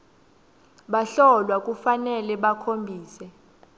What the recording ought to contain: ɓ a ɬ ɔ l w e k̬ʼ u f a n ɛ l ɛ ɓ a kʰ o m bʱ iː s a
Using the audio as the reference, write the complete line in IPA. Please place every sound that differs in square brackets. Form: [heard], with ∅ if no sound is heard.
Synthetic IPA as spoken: ɓ a ɬ ɔ l w [a] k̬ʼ u f a n ɛ l ɛ ɓ a kʰ o m bʱ iː s [ɛ]

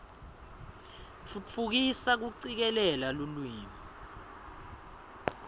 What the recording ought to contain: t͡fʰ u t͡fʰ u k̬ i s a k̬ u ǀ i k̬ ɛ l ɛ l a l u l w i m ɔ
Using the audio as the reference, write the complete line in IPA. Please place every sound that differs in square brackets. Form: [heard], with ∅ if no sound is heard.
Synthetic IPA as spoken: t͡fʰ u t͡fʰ u k̬ i s a k̬ u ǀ i k̬ ɛ l ɛ l a l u l w [iː] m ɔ

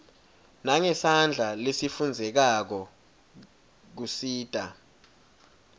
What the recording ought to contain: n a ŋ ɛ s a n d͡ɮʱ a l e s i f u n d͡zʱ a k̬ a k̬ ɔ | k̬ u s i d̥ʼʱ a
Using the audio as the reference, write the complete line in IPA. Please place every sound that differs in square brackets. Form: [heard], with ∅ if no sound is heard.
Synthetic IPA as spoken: n a ŋ ɛ s a n d͡ɮʱ a l e s i f u n d͡zʱ [ɛ] k̬ a k̬ ɔ | k̬ u s [iː] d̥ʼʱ a

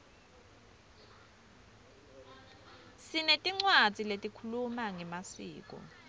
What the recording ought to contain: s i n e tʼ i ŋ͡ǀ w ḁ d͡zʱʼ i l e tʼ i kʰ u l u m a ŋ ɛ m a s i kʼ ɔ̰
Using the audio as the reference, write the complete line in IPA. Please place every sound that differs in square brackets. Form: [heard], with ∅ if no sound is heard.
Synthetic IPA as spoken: s i n e tʼ i ŋ͡ǀ w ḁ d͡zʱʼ i l e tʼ i kʰ u l u m a ŋ ɛ m a s [iː] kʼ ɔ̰

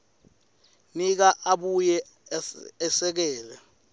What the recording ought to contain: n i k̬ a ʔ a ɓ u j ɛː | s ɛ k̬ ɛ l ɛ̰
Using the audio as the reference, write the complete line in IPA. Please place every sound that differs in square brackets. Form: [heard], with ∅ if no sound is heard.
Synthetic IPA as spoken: n i k̬ a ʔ a ɓ u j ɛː | s ɛ k̬ [ɛː] l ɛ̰

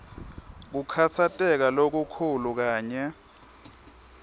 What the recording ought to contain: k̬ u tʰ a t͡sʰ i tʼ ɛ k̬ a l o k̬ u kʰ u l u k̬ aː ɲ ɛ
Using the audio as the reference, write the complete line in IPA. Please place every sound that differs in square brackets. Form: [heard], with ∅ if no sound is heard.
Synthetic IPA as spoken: k̬ u [kʰ] a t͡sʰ [a] tʼ ɛ k̬ a l o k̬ u kʰ u l u k̬ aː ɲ ɛ

